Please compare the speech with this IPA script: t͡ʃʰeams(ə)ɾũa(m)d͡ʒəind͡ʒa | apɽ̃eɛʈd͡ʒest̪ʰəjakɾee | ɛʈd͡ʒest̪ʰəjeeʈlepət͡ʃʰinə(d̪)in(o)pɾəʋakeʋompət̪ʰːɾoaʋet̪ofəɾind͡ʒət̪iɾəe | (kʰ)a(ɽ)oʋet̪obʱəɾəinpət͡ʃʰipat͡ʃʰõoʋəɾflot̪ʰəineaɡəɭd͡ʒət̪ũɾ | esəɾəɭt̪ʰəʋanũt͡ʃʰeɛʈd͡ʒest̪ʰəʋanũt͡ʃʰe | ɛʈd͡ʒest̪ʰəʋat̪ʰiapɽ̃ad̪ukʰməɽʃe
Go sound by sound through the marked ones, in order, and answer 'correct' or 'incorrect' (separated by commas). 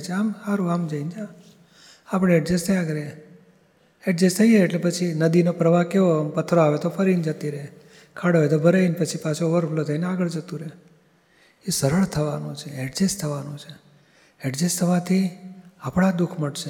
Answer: incorrect, correct, correct, correct, correct, correct